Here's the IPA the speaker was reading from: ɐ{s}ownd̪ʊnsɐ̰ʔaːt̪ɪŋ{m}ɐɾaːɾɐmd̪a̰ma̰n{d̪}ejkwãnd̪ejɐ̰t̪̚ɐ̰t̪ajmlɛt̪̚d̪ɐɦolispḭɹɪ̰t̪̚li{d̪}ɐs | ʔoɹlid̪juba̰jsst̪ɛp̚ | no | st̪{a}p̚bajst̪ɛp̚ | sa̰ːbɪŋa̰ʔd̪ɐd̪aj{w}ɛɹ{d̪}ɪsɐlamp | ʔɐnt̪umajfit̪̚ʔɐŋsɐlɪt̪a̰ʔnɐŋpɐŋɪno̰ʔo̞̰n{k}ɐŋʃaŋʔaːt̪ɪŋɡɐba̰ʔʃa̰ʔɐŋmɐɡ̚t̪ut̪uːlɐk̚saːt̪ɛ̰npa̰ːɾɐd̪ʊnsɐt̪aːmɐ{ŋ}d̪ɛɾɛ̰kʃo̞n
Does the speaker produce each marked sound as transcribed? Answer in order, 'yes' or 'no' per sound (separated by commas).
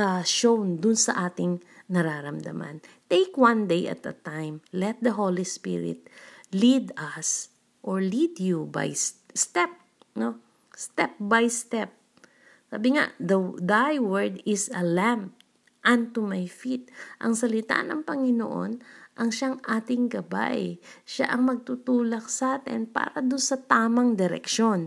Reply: no, no, no, yes, no, yes, yes, no, yes